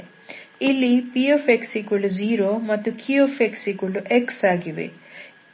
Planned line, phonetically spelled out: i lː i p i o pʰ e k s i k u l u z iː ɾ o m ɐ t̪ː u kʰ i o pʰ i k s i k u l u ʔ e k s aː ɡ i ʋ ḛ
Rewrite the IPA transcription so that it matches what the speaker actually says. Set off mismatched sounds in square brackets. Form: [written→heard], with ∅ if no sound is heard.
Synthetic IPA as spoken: i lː i p i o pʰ e k s i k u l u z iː ɾ o m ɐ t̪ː u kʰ i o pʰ [i→e] k s i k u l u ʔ e k s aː ɡ i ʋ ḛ